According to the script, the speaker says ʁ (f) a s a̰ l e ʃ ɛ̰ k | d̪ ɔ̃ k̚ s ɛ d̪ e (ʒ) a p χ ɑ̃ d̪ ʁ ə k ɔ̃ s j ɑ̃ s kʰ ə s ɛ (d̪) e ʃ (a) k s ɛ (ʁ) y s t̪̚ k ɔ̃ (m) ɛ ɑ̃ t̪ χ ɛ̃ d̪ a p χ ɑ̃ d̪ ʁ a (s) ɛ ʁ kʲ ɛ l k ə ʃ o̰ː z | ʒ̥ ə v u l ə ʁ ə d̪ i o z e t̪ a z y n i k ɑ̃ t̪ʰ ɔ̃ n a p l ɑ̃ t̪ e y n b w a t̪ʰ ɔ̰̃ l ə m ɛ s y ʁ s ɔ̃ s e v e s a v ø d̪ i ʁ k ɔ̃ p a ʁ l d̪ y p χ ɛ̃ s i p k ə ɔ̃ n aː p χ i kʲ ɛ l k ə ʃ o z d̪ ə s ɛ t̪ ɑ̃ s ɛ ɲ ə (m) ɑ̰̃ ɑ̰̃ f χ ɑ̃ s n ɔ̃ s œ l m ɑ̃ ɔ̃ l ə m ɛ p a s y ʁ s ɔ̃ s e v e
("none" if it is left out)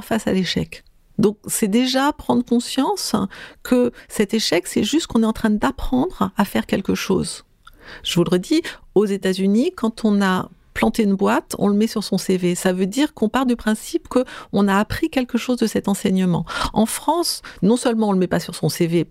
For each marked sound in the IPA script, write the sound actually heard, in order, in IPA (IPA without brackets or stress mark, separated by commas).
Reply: f, ʒ, t̪, ɛ, ʒ, n, f, m